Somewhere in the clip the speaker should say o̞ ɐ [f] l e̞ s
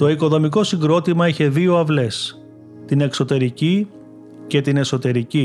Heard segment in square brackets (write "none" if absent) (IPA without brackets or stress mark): v